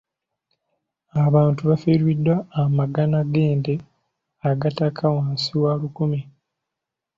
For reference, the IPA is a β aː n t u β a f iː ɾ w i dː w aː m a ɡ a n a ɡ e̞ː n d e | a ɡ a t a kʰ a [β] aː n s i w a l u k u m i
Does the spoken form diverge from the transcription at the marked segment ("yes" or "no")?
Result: yes